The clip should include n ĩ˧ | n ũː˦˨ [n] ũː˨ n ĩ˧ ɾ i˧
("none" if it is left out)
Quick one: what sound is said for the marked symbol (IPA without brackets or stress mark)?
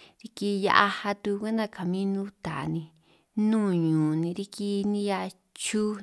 ɲ